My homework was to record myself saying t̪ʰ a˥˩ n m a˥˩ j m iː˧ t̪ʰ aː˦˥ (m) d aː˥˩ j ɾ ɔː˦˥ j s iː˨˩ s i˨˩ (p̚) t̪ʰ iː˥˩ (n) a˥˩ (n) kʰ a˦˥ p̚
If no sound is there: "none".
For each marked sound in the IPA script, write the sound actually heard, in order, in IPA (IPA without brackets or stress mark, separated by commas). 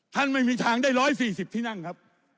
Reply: ŋ, p̚, n, ŋ